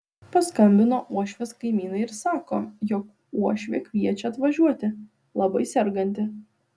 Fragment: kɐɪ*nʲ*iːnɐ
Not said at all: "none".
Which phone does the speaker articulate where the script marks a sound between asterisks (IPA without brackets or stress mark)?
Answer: mʲ